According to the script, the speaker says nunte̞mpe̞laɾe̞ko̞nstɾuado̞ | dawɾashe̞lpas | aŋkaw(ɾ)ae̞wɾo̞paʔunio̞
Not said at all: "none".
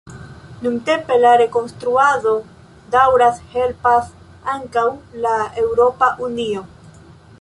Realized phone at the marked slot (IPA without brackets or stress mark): l